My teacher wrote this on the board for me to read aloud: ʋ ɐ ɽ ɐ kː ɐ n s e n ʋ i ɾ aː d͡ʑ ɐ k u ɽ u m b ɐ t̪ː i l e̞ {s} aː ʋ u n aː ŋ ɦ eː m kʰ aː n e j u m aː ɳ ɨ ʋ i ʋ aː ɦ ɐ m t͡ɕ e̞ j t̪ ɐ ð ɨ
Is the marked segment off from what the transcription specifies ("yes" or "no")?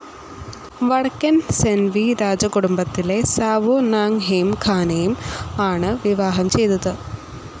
no